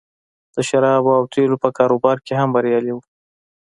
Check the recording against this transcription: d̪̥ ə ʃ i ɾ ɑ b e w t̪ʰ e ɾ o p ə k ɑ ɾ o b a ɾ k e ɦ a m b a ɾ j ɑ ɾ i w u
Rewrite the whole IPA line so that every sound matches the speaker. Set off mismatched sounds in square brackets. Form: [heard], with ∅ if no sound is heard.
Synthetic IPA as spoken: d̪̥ ə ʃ [a] ɾ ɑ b [a] w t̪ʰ e [l] o p ə k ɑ ɾ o b [ɑ] ɾ k e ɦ a m b a ɾ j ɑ [l] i w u